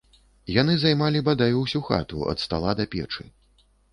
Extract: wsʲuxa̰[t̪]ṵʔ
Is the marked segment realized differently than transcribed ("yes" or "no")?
no